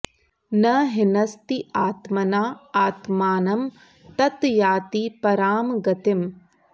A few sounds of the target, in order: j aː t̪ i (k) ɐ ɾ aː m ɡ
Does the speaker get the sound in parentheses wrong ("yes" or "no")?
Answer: yes